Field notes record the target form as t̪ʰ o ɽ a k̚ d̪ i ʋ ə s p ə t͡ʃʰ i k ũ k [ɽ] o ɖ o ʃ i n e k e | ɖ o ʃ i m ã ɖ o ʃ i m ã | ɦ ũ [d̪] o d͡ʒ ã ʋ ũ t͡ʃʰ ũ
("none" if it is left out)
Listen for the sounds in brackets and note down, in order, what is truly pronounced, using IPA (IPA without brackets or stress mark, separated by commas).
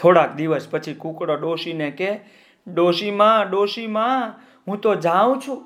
ɽ, t̪